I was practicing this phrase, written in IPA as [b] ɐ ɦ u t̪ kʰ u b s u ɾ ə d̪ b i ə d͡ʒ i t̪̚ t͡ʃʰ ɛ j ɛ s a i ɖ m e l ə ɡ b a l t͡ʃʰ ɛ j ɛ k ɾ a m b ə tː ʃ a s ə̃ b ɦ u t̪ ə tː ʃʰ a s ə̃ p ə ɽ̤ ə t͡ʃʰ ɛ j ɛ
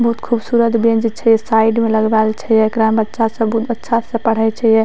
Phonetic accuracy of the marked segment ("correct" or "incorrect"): correct